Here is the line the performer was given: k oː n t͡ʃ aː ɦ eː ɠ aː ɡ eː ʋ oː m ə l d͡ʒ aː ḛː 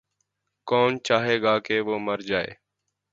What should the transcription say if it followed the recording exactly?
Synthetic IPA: k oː n t͡ʃ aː ɦ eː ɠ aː k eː ʋ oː m ə ɾ d͡ʒ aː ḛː